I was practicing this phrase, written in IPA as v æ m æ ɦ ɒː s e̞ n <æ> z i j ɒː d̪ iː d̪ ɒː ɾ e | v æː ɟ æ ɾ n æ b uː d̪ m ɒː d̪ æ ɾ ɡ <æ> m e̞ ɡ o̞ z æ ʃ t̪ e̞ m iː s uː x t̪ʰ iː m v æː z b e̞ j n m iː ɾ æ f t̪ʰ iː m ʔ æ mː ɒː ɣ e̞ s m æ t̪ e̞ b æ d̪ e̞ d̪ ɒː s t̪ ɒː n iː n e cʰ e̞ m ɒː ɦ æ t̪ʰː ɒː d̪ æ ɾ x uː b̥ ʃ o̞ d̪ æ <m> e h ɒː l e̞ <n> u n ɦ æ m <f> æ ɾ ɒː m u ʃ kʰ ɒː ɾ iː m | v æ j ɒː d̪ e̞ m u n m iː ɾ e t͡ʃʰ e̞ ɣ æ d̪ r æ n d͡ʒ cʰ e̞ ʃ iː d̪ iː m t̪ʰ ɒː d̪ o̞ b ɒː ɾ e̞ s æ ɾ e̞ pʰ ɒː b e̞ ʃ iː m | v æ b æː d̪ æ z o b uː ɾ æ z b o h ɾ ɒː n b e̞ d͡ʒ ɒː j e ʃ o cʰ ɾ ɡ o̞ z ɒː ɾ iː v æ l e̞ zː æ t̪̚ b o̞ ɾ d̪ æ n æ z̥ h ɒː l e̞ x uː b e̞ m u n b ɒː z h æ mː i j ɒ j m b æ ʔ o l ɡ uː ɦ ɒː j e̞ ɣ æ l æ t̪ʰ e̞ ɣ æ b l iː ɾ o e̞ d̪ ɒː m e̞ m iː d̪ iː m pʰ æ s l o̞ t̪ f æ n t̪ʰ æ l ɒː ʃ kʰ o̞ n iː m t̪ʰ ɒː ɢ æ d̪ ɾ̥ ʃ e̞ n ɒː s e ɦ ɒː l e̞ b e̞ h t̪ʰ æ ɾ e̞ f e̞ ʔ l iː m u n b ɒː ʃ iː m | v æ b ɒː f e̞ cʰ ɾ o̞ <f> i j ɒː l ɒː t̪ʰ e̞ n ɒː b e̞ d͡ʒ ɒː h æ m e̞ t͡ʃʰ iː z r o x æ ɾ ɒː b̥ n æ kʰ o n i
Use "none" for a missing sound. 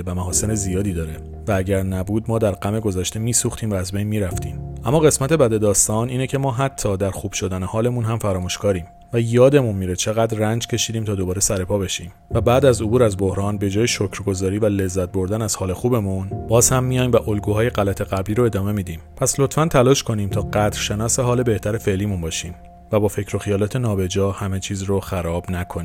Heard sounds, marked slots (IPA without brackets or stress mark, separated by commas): e, æ, n, m, f, x